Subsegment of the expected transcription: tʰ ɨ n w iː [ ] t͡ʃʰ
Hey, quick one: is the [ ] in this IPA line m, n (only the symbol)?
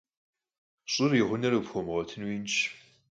n